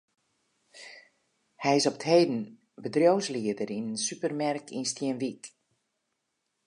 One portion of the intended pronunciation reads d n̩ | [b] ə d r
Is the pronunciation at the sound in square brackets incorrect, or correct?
correct